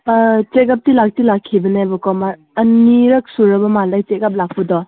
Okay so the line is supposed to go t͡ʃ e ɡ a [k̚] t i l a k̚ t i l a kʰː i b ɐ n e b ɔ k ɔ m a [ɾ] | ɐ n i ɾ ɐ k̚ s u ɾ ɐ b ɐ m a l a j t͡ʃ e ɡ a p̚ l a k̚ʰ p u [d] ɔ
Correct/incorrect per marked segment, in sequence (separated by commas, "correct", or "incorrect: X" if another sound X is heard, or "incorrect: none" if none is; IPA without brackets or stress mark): incorrect: p̚, correct, correct